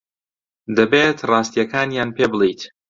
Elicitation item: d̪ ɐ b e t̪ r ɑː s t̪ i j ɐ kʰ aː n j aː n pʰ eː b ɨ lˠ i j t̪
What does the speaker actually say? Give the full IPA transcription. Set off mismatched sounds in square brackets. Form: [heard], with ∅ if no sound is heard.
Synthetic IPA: d̪ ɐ b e t̪ r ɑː s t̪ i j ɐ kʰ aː n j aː n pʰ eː b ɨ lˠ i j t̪